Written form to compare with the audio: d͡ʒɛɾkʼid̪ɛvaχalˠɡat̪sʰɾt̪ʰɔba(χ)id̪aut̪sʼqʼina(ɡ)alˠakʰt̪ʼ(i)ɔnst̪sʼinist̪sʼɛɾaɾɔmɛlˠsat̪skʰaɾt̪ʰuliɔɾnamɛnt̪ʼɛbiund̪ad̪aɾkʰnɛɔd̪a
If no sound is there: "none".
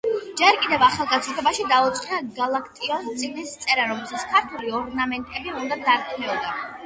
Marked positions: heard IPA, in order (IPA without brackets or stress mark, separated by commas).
ʃ, ɡ, i